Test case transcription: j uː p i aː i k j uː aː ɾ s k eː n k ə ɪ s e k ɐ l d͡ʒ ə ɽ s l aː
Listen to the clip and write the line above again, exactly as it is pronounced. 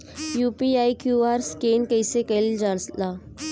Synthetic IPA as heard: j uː p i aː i k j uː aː ɾ s k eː n k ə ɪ s e k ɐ l d͡ʒ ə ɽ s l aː